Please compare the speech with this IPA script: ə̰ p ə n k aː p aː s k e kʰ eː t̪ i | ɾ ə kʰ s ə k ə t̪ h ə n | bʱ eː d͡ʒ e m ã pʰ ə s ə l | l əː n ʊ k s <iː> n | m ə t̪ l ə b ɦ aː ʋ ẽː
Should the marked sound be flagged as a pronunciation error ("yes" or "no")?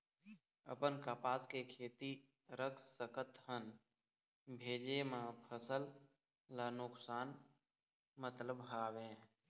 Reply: yes